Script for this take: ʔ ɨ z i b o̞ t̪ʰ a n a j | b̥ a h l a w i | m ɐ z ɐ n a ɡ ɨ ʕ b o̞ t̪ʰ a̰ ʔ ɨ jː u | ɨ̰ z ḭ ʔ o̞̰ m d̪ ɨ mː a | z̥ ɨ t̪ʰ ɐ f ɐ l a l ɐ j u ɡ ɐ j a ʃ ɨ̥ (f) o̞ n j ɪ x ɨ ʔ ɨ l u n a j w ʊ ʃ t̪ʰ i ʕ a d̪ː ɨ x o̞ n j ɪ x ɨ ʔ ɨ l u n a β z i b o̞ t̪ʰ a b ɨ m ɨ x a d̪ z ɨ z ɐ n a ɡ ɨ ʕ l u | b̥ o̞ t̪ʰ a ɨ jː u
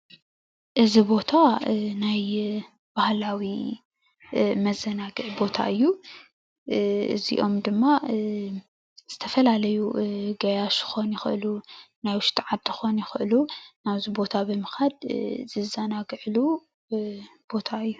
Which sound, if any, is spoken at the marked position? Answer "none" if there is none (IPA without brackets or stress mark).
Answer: x